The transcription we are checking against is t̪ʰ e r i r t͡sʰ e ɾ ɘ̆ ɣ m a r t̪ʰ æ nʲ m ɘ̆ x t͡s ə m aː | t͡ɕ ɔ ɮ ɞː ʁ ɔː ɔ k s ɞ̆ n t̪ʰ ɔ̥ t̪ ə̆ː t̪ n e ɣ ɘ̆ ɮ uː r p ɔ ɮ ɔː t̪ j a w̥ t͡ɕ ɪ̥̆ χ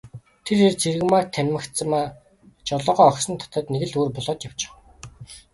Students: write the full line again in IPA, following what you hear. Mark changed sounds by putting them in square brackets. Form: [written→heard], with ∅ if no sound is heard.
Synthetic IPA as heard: t̪ʰ e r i r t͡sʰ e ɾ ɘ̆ ɣ m a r t̪ʰ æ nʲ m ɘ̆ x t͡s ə m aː | t͡ɕ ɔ ɮ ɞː ʁ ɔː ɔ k s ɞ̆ n t̪ʰ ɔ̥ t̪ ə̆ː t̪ n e ɣ ɘ̆ ɮ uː r p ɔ ɮ ɔː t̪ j a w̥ t͡ɕ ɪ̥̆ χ